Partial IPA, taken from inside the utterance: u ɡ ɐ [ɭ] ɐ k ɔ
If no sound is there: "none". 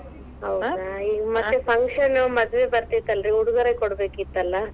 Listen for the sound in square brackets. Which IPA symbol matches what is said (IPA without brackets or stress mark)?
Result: ɾ